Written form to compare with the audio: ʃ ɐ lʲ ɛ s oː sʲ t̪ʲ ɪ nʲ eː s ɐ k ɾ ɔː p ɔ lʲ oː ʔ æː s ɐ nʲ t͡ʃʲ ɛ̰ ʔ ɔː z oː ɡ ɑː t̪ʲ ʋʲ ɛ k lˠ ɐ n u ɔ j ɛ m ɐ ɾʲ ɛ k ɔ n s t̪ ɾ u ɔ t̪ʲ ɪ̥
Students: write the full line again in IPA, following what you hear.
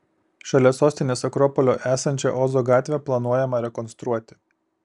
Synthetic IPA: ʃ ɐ lʲ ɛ s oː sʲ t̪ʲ ɪ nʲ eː s ɐ k ɾ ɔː p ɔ lʲ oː ʔ æː s ɐ nʲ t͡ʃʲ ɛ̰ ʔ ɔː z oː ɡ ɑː t̪ʲ ʋʲ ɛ p lˠ ɐ n u ɔ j ɛ m ɐ ɾʲ ɛ k ɔ n s t̪ ɾ u ɔ t̪ʲ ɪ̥